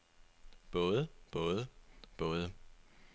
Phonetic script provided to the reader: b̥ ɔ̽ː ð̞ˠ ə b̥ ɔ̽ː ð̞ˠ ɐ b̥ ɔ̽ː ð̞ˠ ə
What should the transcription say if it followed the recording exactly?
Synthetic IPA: b̥ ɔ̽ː ð̞ˠ ə b̥ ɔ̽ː ð̞ˠ ə b̥ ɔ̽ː ð̞ˠ ə

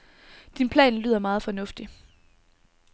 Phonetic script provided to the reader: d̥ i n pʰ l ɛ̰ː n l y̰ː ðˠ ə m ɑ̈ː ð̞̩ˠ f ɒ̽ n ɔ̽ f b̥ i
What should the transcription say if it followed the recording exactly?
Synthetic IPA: d̥ i n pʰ l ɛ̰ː n l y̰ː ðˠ ɐ m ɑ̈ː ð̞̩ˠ f ɒ̽ n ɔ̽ f d̥ i

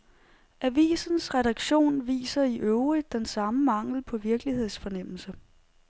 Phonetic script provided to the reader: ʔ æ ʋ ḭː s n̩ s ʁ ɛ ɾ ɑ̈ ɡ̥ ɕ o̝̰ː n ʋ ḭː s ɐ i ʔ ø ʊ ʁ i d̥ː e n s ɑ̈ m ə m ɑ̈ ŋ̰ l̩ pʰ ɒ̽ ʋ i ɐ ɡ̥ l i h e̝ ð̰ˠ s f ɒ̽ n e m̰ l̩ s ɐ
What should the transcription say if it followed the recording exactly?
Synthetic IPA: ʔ æ ʋ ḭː s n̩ s ʁ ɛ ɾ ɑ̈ ɡ̥ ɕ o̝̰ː n ʋ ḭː s ɐ i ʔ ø ʊ ʁ i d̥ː e n s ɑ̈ m ə m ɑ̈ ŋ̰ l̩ pʰ ɒ̽ ʋ i ɐ ɡ̥ l i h e̝ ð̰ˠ s f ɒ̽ n e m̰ l̩ s ə

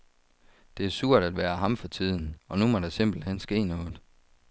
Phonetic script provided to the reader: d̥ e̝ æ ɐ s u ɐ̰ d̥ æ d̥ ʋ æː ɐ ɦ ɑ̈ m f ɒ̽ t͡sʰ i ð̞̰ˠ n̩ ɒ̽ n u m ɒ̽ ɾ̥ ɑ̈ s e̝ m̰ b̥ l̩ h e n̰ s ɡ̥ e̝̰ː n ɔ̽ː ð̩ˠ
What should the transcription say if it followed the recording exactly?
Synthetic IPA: d̥ e̝ æ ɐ s u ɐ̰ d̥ æ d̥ ʋ æː ɐ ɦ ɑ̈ m f ɒ̽ t͡sʰ i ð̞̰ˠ n̩ ɒ̽ n u m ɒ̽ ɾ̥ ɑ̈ s e̝ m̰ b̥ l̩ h e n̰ s ɡ̥ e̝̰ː n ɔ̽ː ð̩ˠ

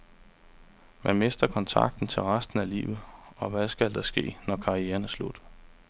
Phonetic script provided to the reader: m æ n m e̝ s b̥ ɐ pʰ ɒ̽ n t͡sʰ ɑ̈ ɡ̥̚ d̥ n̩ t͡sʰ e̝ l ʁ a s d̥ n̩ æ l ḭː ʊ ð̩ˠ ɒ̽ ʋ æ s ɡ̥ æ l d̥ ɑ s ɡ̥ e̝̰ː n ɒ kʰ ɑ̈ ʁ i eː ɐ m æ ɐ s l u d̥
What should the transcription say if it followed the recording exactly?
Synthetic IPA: m æ n m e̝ s d̥ ɐ kʰ ɒ̽ n t͡sʰ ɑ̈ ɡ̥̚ d̥ n̩ t͡sʰ e̝ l ʁ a s d̥ n̩ æ l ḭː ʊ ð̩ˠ ɒ̽ ʋ æ s ɡ̥ æ l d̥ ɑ s ɡ̥ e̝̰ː n ɒ kʰ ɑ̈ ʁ i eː ɐ n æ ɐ s l u d̥

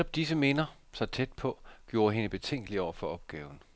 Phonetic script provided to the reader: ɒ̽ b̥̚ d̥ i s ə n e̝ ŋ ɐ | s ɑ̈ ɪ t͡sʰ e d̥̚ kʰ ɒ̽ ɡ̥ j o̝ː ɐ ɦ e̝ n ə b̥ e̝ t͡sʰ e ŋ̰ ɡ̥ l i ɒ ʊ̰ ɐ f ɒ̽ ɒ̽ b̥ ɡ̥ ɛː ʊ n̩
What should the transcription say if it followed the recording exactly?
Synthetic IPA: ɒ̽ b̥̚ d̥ i s ə m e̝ n ɐ | s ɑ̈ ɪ t͡sʰ e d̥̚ pʰ ɒ̽ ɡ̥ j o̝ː ɐ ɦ e̝ n ə b̥ e̝ t͡sʰ e ŋ̰ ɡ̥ l i ɒ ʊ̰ ɐ f ɒ̽ ɒ̽ b̥ ɡ̥ ɛː ʊ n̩

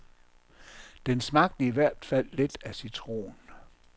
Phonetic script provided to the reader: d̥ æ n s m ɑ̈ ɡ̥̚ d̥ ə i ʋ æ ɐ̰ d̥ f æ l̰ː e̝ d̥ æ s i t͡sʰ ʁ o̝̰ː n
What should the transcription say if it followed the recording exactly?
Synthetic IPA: d̥ e n s m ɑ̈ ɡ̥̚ d̥ ə i ʋ æ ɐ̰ d̥ f æ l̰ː e̝ d̥ æ s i t͡sʰ ʁ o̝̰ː n

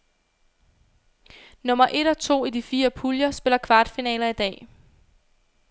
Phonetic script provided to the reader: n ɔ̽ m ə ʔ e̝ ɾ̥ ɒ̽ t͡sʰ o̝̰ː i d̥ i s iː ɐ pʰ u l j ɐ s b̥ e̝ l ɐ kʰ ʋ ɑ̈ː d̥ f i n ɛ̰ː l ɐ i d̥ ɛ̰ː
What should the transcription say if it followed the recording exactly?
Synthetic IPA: n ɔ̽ m ɐ ʔ e̝ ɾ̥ ɒ̽ t͡sʰ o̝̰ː i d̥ i f iː ɐ pʰ u l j ɐ s b̥ e̝ l ɐ kʰ ʋ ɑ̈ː d̥ f i n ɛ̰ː l ɐ i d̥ ɛ̰ː

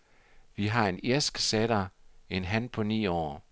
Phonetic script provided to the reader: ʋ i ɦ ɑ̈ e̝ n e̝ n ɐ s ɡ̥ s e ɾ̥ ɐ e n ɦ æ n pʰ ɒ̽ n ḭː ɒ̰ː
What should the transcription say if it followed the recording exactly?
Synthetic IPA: ʋ i ɦ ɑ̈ e̝ n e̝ ɐ s ɡ̥ s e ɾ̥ ɐ e n ɦ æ n pʰ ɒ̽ n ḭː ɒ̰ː

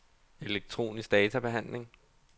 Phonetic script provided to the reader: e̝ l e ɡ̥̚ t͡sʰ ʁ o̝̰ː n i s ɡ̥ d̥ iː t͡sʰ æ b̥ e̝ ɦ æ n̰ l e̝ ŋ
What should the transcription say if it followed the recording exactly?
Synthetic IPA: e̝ l e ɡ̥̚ t͡sʰ ʁ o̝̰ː n i s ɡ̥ d̥ ɛː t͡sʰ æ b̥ e̝ ɦ æ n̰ l e̝ ŋ

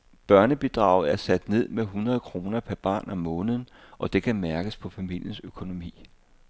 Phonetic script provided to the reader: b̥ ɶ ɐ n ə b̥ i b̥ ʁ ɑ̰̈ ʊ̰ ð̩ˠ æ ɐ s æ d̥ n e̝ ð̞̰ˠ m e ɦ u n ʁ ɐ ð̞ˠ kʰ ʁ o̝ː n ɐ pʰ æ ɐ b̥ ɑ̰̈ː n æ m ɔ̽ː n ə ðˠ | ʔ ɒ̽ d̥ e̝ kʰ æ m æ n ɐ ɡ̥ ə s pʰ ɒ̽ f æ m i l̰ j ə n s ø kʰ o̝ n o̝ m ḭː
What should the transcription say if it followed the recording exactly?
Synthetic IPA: b̥ ɶ ɐ n ə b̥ i d̥ ʁ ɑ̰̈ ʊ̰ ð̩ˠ æ ɐ s æ d̥ n e̝ ð̞̰ˠ m e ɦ u n ʁ ɐ ð̞ˠ kʰ ʁ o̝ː n ɐ pʰ æ ɐ b̥ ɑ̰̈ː n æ m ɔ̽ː n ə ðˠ | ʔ ɒ̽ d̥ e̝ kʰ æ m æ ɐ ɡ̥ ə s pʰ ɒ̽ f æ m i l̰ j ə n s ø kʰ o̝ n o̝ m ḭː

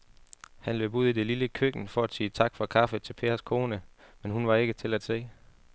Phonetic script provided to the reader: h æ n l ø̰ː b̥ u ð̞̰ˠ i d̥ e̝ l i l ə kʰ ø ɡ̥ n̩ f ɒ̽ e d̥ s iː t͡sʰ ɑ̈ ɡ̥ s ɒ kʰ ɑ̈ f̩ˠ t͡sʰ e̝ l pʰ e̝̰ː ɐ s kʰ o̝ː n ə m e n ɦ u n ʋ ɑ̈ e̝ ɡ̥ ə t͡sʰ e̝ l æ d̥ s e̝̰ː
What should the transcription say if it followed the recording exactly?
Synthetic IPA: h æ n l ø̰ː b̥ u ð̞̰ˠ i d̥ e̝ l i l ə kʰ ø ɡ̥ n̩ f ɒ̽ æ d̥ s iː t͡sʰ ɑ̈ ɡ̥ f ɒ kʰ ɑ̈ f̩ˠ t͡sʰ e̝ l pʰ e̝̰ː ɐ s kʰ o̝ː n ə m e n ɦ u n ʋ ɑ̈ e̝ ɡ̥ ə t͡sʰ e̝ l æ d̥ s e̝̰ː

